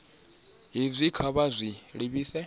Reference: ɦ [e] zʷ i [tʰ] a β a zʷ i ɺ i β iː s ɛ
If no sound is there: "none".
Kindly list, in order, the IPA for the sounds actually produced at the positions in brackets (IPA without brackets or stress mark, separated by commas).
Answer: i, kʰ